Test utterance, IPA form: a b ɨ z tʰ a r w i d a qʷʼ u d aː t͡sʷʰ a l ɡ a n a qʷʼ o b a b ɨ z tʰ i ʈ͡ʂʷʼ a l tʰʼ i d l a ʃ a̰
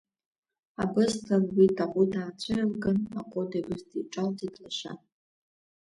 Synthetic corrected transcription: a b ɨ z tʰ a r w i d a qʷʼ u d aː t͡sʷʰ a l ɡ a n a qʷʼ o d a b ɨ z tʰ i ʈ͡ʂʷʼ a l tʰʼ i d l a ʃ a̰